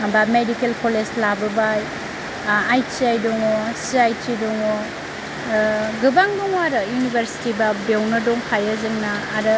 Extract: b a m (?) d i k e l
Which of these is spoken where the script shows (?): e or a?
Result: e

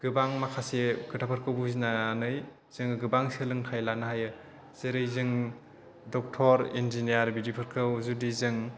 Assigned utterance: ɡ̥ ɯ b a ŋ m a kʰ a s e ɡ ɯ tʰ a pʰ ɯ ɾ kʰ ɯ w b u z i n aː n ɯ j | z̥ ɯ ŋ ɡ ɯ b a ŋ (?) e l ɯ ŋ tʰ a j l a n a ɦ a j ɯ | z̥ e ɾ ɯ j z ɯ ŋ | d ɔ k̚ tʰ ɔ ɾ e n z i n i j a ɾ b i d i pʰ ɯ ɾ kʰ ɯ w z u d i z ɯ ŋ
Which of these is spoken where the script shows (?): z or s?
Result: s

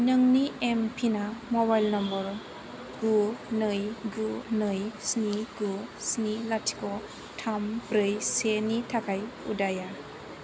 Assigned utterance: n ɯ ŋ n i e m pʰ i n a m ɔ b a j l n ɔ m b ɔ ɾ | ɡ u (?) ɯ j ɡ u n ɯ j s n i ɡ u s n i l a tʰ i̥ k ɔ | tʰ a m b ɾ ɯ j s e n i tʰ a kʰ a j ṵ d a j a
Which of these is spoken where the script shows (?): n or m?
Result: n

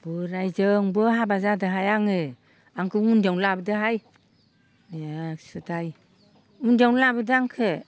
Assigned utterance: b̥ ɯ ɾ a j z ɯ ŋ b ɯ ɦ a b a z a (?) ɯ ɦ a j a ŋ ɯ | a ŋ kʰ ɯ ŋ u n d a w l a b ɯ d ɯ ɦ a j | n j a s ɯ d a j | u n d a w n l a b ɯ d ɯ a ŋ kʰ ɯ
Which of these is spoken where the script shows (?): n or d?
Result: d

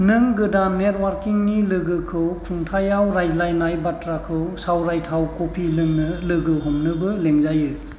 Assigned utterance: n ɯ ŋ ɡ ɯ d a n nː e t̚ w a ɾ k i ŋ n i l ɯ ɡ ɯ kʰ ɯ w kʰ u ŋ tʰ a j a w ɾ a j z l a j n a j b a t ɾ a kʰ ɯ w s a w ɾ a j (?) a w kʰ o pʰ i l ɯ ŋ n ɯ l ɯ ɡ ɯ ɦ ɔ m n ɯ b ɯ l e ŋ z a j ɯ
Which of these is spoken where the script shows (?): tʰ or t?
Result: tʰ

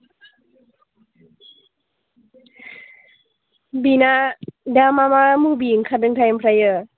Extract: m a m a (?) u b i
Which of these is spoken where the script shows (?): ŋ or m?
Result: m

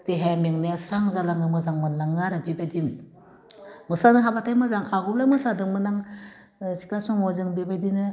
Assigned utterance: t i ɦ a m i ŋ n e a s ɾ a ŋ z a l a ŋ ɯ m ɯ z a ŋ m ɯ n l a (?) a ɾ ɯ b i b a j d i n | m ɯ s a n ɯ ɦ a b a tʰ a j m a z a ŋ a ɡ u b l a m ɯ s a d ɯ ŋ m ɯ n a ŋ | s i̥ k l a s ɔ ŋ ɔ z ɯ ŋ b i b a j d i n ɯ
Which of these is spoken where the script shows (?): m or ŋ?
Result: ŋ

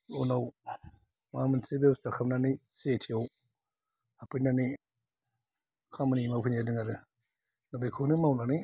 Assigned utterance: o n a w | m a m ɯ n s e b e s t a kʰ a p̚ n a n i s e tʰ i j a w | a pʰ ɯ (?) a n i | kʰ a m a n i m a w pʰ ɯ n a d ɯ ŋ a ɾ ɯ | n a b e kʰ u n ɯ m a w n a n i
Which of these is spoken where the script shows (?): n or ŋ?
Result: n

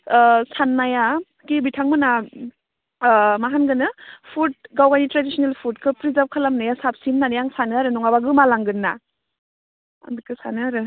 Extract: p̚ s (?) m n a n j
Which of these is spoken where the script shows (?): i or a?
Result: i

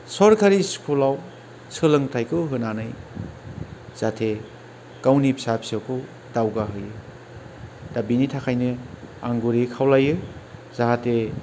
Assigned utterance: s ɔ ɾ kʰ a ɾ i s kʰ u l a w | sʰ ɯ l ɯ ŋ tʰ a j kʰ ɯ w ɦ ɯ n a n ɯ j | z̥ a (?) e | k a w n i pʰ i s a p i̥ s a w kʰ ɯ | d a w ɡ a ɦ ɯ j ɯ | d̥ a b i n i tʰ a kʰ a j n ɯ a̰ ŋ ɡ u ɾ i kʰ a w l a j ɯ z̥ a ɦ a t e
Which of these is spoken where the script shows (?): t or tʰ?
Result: tʰ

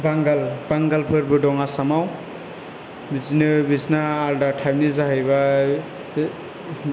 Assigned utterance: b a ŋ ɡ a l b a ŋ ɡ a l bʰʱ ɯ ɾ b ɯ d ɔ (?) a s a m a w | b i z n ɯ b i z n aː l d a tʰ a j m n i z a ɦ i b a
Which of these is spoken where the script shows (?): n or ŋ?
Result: ŋ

